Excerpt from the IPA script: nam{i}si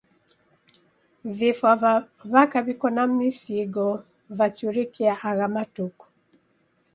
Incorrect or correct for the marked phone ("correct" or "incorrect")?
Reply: correct